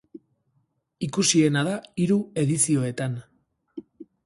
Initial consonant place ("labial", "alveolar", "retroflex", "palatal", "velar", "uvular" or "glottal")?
velar